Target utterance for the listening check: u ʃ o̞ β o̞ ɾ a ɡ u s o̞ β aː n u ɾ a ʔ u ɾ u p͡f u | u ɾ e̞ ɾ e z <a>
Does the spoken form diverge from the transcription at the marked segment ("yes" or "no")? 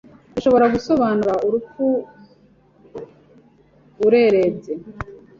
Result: yes